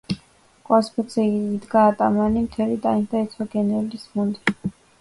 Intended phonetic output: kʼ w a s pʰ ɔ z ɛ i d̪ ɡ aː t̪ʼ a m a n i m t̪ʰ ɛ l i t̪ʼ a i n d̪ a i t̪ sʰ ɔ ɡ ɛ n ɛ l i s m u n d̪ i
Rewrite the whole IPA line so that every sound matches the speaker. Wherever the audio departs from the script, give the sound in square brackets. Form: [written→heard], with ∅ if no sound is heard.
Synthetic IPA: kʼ w a s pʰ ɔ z ɛ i d̪ ɡ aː t̪ʼ a m a n i m t̪ʰ ɛ l i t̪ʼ a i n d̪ a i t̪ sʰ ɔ ɡ ɛ n ɛ l i s m u n d̪ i